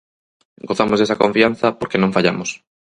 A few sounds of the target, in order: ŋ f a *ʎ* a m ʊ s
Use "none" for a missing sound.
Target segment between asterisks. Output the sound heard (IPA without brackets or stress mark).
ʎ